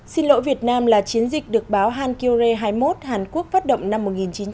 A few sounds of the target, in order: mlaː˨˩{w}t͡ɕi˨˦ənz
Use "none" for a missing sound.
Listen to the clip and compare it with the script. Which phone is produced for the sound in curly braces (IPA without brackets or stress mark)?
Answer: none